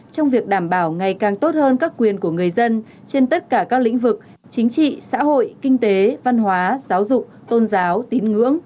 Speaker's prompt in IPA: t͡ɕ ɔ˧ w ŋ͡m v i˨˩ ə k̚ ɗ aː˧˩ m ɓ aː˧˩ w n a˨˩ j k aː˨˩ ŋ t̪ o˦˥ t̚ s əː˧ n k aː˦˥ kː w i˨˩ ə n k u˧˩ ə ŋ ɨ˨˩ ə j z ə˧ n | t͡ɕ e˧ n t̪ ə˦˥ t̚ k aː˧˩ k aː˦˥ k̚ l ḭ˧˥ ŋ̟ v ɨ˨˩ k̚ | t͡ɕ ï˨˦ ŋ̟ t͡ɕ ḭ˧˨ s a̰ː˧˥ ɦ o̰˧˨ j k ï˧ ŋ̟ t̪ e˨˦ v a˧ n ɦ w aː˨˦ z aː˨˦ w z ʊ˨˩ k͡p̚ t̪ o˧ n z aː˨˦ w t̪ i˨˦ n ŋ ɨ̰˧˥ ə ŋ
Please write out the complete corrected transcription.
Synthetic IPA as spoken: t͡ɕ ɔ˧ w ŋ͡m v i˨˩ ə k̚ ɗ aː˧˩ m ɓ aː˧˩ w ŋ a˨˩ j k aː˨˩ ŋ t̪ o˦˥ t̚ h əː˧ n k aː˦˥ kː w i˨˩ ə n k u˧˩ ə ŋ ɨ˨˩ ə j z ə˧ n | t͡ɕ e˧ n t̪ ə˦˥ t̚ k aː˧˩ k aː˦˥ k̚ l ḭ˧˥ ŋ̟ v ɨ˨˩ k̚ | t͡ɕ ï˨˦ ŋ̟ t͡ɕ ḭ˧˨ s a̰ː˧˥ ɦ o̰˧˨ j k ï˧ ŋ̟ t̪ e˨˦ v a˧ n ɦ w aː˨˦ z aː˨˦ w z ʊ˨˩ k͡p̚ t̪ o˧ n z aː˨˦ w t̪ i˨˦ n ŋ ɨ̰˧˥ ə ŋ

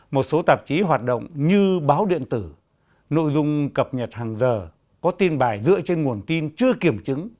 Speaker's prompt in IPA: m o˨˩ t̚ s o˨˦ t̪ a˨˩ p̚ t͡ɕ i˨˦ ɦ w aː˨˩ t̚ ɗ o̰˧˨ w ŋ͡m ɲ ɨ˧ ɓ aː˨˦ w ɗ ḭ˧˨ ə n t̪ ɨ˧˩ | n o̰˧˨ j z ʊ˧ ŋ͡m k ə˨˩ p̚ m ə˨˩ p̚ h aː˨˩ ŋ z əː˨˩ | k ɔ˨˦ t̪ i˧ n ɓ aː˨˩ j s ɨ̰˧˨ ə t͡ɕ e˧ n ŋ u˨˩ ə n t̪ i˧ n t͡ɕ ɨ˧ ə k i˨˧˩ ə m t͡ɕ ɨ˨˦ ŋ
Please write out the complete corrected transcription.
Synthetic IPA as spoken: m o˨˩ t̚ s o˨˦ t̪ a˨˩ p̚ t͡ɕ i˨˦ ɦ w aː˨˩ t̚ ɗ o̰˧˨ w ŋ͡m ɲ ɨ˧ ɓ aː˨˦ w ɗ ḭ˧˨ ə n t̪ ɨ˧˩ | n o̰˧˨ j z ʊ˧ ŋ͡m k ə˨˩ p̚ ɲ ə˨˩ t̚ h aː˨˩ ŋ z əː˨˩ | k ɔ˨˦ t̪ i˧ n ɓ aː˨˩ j z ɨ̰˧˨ ə t͡ɕ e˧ n ŋ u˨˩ ə n t̪ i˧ n t͡ɕ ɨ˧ ə k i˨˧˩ ə m t͡ɕ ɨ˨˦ ŋ

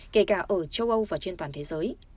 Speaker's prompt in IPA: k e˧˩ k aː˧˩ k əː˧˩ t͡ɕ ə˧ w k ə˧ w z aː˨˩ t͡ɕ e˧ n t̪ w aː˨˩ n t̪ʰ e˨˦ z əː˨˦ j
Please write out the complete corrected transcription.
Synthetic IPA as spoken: k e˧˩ k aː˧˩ ʔ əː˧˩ t͡ɕ ə˧ w ʔ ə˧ w v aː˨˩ t͡ɕ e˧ n t̪ w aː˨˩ n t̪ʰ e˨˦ z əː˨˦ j

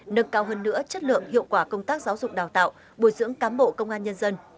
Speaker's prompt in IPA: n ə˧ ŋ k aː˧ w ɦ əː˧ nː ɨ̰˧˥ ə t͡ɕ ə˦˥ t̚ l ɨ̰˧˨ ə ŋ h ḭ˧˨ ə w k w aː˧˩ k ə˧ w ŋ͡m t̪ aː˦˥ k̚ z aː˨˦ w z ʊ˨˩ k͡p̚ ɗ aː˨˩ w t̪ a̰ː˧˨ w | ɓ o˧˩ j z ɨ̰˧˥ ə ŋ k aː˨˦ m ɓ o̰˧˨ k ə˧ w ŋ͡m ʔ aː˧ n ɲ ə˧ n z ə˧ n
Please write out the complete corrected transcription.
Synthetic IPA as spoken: n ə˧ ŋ k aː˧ w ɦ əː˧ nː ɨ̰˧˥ ə t͡ɕ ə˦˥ t̚ l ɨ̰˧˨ ə ŋ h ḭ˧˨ ə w k w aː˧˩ k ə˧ w ŋ͡m t̪ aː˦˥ k̚ z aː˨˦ w z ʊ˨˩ k͡p̚ ɗ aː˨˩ w t̪ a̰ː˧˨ w | ɓ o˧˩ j z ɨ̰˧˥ ə ŋ k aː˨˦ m ɓ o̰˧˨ k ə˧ w ŋ͡m ʔ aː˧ n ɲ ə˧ n z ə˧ n

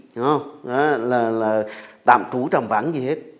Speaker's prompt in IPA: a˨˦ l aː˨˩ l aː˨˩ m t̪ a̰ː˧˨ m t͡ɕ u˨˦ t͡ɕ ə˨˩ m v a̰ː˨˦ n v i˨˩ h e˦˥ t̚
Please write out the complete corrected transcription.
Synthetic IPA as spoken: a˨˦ l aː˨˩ l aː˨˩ t̪ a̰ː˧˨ m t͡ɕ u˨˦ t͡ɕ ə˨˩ m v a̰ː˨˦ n z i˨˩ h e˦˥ t̚

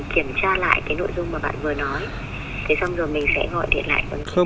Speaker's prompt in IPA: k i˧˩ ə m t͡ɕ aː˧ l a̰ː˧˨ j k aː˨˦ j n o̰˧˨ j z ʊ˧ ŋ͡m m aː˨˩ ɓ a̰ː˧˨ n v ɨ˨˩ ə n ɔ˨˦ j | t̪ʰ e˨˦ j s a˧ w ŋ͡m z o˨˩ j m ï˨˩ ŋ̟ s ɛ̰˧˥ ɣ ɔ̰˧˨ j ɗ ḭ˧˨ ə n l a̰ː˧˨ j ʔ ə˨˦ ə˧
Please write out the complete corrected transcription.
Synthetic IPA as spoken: k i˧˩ ə m t͡ɕ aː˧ l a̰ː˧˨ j k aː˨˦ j n o̰˧˨ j z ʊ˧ ŋ͡m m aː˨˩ ɓ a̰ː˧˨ n v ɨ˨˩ ə n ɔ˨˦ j | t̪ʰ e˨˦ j s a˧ w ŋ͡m z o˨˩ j m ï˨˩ ŋ̟ s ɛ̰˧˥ ɣ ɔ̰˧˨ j ɗ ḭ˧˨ ə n l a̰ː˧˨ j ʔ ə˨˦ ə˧

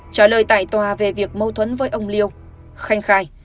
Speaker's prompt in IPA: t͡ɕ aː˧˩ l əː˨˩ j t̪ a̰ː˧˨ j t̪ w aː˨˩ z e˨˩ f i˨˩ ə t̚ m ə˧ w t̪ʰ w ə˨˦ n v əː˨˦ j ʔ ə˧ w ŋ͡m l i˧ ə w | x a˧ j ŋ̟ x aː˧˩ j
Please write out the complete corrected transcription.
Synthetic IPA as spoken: t͡ɕ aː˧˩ l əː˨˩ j t̪ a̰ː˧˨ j t̪ w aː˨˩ v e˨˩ v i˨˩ ə k̚ m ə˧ w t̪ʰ w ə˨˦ n v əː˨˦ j ʔ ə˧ w ŋ͡m l i˧ ə w | x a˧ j ŋ̟ x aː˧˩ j

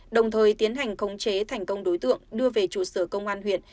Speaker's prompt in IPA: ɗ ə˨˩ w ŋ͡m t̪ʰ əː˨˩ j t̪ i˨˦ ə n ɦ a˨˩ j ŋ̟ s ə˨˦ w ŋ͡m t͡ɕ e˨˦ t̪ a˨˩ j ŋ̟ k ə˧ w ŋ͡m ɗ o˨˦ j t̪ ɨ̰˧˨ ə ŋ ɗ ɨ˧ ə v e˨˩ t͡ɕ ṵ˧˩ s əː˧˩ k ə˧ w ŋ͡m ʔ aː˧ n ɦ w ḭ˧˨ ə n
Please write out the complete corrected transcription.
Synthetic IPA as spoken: ɗ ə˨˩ w ŋ͡m t̪ʰ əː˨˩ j t̪ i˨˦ ə n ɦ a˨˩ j ŋ̟ x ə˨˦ w ŋ͡m t͡ɕ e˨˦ t̪ʰ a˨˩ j ŋ̟ k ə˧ w ŋ͡m ɗ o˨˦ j t̪ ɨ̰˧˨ ə ŋ ɗ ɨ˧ ə v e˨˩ t͡ɕ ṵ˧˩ s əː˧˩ k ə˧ w ŋ͡m ʔ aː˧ n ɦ w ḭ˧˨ ə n

